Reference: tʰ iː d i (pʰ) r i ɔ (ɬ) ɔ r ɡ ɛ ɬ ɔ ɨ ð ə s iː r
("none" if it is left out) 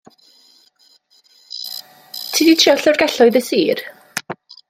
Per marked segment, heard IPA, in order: tʰ, ɬ

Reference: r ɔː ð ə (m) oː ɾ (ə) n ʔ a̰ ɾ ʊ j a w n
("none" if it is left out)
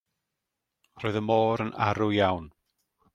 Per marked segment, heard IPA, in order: m, ə

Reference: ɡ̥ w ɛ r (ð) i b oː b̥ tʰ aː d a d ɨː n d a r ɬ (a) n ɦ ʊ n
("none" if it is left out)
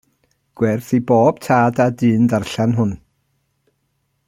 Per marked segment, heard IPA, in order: θ, a

